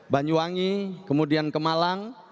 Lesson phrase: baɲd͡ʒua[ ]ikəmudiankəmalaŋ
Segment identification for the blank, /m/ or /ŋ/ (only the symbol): ŋ